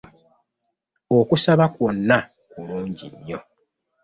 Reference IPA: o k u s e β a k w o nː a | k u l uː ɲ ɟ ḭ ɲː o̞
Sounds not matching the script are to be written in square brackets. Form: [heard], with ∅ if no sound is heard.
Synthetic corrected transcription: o k u s [a] β a k w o nː a | k u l uː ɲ ɟ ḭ ɲː o̞